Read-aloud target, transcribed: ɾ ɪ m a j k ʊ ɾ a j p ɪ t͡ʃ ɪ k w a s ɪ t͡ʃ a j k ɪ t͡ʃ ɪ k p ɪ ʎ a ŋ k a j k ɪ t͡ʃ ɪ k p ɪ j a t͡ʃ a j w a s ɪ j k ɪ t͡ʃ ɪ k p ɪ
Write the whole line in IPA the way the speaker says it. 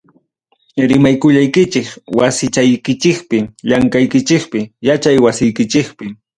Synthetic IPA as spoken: ɾ ɪ m a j k ʊ ʎ a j k ɪ t͡ʃ ɪ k w a s ɪ t͡ʃ a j k ɪ t͡ʃ ɪ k p ɪ ʎ a ŋ k a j k ɪ t͡ʃ ɪ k p ɪ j a t͡ʃ a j w a s ɪ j k ɪ t͡ʃ ɪ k p ɪ